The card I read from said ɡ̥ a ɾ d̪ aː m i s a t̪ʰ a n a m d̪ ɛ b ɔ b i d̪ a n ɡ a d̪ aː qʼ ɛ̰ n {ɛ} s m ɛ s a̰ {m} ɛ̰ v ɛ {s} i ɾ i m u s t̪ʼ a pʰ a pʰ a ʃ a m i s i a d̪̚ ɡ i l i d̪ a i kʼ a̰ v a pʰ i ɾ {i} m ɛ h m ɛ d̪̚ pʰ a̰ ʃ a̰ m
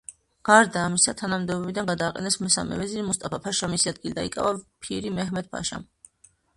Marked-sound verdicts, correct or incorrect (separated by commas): correct, correct, incorrect, correct